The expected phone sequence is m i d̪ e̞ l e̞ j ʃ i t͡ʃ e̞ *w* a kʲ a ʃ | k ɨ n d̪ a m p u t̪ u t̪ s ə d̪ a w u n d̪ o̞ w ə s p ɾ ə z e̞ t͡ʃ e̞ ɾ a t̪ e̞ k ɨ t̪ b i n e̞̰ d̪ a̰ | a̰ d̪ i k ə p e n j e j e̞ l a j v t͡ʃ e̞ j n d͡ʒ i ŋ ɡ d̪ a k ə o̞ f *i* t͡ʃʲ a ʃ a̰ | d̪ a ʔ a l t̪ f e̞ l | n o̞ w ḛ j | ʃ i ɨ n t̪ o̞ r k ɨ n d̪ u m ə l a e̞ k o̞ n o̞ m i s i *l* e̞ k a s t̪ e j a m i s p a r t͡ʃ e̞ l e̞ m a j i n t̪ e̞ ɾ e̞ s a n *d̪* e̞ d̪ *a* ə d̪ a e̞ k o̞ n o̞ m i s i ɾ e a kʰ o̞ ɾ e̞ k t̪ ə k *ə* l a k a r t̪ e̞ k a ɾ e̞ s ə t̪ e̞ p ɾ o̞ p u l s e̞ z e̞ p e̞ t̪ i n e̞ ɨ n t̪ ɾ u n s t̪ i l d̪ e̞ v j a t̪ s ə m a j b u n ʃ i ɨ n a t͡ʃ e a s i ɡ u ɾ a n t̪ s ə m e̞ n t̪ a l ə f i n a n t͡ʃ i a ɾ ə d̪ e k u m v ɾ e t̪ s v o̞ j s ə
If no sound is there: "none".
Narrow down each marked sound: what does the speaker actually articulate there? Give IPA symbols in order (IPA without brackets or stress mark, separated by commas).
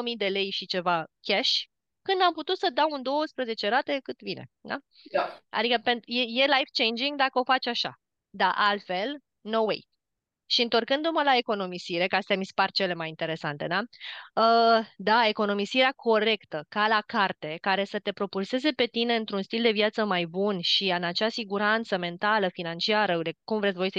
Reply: v, a, ɾ, t̪, a, a